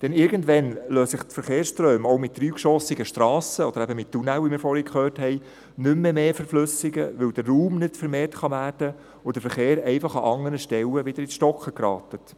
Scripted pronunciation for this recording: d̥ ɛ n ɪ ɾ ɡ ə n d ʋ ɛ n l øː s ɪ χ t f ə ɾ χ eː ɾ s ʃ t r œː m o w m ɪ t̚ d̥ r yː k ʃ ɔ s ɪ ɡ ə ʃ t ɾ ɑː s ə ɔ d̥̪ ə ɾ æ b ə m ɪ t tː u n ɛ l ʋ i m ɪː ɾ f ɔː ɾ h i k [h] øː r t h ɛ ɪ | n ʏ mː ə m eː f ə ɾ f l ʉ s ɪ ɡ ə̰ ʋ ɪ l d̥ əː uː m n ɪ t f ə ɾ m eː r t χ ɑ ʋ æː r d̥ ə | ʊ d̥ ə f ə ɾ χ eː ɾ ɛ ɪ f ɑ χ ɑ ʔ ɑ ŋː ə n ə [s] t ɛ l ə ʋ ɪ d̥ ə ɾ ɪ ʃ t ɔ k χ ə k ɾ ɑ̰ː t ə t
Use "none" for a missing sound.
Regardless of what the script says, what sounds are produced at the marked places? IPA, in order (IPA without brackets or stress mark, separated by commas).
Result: χ, ʃ